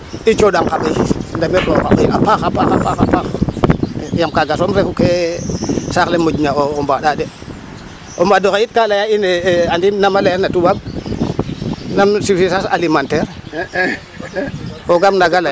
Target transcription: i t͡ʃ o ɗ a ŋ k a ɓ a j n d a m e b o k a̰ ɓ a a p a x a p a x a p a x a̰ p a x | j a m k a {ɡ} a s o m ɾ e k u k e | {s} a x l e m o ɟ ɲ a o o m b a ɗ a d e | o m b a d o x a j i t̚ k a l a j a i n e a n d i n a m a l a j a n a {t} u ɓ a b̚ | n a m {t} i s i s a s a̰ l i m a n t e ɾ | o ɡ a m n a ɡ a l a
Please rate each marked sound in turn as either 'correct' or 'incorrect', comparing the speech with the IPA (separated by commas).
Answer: correct, correct, correct, incorrect